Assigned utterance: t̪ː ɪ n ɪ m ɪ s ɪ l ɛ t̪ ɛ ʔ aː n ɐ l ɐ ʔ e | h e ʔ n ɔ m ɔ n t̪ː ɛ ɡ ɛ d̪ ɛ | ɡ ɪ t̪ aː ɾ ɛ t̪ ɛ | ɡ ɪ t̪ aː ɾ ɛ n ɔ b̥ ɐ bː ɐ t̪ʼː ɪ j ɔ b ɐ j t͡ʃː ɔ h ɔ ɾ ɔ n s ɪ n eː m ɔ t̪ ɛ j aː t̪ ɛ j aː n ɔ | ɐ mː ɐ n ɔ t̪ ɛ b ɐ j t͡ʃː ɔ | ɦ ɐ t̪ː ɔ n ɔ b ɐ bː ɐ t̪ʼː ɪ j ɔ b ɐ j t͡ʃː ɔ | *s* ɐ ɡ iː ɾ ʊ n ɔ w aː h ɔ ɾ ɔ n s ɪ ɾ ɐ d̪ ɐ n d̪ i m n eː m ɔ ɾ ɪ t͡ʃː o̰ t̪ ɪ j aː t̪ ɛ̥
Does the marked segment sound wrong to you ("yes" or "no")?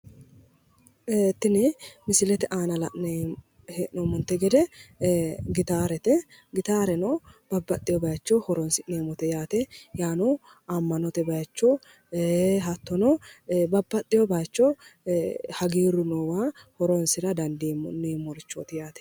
yes